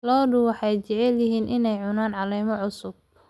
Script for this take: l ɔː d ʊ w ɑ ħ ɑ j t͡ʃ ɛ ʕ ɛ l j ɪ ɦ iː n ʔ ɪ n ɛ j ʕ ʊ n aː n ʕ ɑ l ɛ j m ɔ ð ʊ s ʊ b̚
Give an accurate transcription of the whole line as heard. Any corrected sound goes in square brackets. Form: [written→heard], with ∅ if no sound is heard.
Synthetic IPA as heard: l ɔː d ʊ w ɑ ħ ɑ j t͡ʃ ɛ ʕ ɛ l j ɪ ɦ iː n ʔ ɪ n ɛ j ʕ ʊ n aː n ʕ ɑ l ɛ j m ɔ [ð→ʕ] ʊ s ʊ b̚